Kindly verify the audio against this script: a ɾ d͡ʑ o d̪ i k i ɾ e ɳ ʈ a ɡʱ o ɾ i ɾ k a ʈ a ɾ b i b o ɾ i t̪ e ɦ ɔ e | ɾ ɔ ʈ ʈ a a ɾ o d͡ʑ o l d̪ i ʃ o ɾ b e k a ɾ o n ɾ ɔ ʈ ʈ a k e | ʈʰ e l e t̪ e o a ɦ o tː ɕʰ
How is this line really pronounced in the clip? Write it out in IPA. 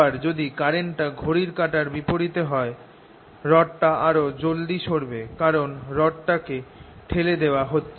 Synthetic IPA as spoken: a ɾ d͡ʑ o d̪ i k a ɾ e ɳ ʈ a ɡʱ o ɾ i ɾ k a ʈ a ɾ b i p o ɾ i t̪ e ɦ ɔ e | ɾ ɔ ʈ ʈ a a ɾ o d͡ʑ o l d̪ i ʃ o ɾ b e k a ɾ o n ɾ ɔ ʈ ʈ a k e | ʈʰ e l e d̪ e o a ɦ o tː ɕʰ